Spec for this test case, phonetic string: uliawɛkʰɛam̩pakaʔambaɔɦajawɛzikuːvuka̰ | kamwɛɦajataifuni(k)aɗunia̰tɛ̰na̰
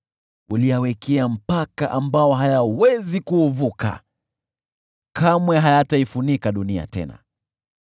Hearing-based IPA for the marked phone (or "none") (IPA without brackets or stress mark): k